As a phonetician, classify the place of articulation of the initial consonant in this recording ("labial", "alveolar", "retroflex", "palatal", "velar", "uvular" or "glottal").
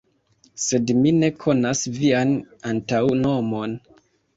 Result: alveolar